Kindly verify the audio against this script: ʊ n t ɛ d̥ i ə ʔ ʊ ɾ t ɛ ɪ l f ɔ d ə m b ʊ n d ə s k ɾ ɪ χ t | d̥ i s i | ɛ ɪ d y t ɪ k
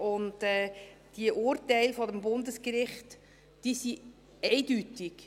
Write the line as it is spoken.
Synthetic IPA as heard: ʊ n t ɛ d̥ i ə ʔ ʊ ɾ t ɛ ɪ l f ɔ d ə m b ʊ n d ə s k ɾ ɪ χ t | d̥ i s i | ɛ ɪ d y t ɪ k